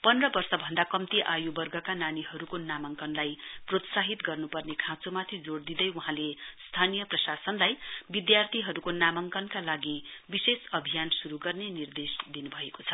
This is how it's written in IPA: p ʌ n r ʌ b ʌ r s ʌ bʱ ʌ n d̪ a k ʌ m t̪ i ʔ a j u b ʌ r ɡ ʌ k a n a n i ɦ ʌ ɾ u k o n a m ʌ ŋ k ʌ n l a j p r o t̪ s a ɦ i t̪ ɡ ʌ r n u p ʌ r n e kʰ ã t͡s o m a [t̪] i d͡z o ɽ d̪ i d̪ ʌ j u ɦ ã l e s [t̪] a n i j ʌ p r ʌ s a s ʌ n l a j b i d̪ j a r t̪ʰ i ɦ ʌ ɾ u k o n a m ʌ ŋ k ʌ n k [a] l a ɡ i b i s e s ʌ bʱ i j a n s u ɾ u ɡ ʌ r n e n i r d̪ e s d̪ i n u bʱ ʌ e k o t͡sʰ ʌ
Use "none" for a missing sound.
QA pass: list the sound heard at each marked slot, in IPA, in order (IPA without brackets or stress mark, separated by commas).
t̪ʰ, t̪ʰ, a